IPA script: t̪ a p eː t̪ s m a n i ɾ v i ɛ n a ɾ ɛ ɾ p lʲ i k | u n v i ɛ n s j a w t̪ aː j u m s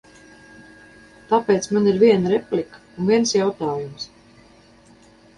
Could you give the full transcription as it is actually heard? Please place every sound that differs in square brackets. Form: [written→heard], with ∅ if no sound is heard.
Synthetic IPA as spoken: t̪ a p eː t̪ s m a n i ɾ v i ɛ n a ɾ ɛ [ɾ→∅] p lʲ i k | u n v i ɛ n s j a w t̪ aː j u m s